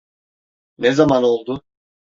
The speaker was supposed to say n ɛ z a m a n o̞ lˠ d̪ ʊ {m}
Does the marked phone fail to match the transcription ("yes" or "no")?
yes